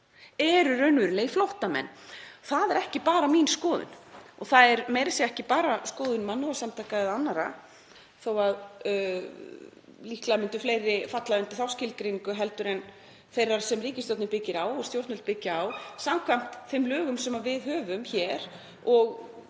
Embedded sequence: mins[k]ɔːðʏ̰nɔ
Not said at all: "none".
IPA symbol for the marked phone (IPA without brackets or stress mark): k